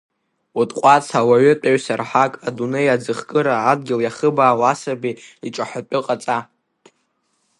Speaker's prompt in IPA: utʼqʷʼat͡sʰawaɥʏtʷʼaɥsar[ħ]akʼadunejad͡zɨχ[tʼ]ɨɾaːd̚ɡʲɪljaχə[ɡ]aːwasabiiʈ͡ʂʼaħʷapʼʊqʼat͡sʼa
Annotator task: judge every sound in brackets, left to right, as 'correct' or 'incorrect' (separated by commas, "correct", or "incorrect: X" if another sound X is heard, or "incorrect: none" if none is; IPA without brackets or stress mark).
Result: correct, incorrect: kʼ, incorrect: b